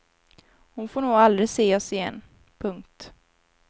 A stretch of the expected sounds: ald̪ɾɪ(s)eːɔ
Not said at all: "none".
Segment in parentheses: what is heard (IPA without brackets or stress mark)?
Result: s